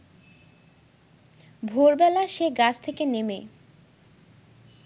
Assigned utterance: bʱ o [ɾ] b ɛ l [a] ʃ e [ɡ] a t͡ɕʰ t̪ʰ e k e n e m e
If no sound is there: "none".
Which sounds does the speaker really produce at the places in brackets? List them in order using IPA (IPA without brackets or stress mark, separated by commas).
ɾ, a, ɡ